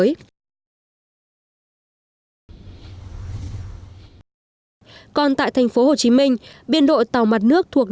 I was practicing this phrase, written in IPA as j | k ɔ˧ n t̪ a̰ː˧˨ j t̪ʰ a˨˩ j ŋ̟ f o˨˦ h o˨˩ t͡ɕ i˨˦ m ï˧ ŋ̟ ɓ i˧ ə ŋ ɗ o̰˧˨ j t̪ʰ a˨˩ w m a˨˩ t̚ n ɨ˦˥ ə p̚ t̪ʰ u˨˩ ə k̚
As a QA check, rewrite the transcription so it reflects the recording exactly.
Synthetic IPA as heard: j | k ɔ˧ n t̪ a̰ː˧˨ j t̪ʰ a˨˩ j ŋ̟ f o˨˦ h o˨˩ t͡ɕ i˨˦ m ï˧ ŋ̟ ɓ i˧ ə n ɗ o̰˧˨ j t̪ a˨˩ w m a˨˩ t̚ n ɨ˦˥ ə k̚ t̪ʰ u˨˩ ə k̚